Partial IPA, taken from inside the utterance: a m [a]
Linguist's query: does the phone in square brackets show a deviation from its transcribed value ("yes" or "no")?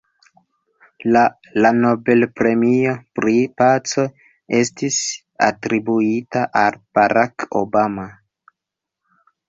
no